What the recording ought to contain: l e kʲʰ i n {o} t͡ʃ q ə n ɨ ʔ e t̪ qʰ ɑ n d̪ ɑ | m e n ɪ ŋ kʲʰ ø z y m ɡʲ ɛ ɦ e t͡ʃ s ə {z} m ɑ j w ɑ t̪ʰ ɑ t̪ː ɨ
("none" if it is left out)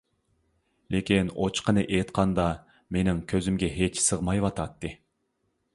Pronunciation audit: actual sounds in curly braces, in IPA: o, ʁ

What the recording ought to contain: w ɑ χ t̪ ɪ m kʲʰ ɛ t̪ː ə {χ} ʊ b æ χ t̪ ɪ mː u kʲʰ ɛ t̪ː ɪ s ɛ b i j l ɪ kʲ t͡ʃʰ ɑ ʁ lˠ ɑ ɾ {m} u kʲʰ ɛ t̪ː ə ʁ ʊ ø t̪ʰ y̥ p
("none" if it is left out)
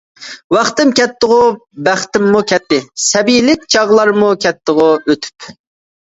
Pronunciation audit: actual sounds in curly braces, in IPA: ʁ, m

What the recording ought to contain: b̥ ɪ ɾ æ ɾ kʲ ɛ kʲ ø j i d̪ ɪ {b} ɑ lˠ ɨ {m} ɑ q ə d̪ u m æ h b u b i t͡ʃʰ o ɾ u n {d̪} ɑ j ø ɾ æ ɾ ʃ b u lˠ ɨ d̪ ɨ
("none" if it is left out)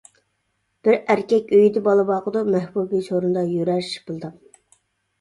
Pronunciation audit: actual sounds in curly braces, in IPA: b, b, d̪

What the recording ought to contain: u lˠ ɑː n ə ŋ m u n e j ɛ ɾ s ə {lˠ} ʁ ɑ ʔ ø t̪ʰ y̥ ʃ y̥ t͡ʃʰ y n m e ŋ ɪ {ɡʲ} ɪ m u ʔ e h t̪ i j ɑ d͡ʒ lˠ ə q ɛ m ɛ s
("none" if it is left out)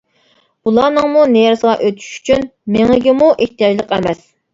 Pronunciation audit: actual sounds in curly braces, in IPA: none, ɡʲ

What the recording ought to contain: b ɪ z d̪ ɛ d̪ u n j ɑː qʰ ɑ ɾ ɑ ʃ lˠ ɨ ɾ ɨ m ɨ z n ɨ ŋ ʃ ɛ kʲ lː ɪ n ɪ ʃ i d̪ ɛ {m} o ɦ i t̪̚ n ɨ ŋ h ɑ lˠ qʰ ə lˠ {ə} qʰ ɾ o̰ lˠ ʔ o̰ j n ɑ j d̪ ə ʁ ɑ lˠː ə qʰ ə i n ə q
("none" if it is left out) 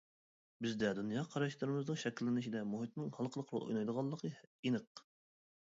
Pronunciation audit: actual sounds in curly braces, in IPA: m, ə

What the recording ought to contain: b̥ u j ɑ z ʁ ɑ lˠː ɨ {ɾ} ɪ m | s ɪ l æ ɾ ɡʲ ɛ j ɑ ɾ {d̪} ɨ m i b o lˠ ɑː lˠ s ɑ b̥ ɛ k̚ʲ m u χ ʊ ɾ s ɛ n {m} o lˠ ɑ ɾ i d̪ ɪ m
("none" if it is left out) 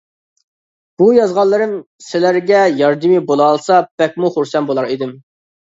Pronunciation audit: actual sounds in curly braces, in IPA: ɾ, d̪, b

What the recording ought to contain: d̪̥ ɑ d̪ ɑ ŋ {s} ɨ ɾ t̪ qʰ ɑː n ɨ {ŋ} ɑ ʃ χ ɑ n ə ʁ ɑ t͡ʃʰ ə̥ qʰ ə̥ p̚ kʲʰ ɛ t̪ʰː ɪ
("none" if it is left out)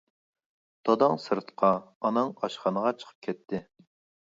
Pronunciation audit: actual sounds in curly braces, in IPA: s, ŋ

